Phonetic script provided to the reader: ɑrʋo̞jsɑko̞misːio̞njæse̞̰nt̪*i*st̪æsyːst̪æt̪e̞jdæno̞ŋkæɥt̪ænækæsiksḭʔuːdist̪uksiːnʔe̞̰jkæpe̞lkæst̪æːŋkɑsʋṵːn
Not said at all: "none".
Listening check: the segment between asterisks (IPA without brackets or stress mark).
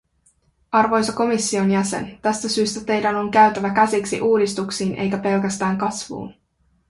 æ